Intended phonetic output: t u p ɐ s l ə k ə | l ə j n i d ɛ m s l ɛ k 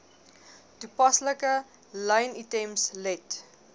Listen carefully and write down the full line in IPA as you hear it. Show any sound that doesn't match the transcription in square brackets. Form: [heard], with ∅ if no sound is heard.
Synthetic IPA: t u p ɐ s l ə k ə | l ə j n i [t] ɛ m s l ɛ [t]